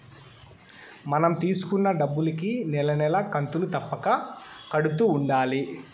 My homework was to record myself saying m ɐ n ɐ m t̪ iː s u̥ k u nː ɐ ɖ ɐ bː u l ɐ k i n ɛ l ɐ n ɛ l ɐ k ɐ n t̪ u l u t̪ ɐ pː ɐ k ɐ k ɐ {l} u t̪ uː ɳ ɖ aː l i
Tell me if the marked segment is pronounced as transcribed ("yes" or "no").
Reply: no